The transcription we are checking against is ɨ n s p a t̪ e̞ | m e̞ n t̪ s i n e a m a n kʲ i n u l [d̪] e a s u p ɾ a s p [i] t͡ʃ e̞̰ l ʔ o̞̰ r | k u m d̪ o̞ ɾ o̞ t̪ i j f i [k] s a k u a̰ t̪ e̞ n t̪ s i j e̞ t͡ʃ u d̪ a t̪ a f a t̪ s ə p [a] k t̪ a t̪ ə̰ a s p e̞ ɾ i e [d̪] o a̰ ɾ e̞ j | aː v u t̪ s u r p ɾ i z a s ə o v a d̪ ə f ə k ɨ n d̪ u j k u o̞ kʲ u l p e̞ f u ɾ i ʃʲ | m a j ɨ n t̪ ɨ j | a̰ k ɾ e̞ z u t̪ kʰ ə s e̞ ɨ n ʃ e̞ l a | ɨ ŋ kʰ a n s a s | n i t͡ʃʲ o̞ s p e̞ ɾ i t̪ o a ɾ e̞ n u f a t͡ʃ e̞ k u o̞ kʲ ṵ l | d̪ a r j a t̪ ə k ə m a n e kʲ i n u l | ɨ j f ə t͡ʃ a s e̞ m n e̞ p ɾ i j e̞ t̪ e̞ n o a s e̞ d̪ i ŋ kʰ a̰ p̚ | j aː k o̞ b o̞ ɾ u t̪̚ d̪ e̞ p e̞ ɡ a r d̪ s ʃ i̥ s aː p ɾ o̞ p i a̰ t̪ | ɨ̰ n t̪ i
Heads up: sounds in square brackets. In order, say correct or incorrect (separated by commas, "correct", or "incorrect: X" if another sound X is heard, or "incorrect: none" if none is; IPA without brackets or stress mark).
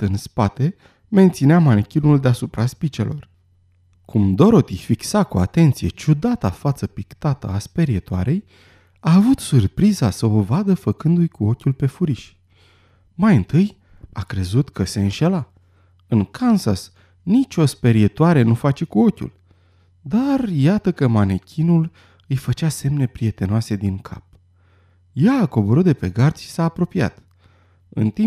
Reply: correct, correct, correct, incorrect: i, incorrect: t̪